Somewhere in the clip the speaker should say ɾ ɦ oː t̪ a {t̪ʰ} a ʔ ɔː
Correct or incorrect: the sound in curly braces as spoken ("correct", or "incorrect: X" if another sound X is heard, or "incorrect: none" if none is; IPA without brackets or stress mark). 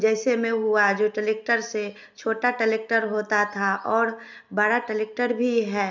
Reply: correct